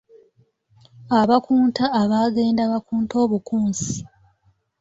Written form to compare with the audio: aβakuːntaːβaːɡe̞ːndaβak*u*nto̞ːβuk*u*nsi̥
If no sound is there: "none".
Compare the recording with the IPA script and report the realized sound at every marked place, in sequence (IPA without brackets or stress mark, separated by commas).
uː, uː